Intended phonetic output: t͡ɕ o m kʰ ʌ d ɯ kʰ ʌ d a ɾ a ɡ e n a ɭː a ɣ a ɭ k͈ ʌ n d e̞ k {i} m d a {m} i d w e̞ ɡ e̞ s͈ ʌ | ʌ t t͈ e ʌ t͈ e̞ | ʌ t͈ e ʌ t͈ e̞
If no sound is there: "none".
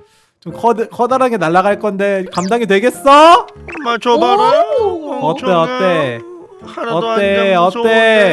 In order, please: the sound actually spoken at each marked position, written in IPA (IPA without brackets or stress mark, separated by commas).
a, ŋ